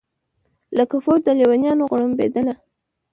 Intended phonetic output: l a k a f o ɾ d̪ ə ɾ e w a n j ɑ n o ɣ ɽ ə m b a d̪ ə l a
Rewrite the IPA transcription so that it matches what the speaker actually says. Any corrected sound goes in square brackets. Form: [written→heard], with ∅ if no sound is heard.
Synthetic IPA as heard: l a k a f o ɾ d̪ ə [ɾ→l] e w a n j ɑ n o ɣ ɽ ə m b [a→e] d̪ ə l a